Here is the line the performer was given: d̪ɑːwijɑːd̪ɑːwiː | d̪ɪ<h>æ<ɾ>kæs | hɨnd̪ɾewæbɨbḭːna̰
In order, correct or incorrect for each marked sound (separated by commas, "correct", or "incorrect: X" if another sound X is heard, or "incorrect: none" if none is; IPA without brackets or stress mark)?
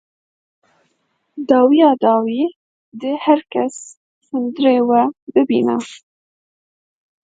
correct, correct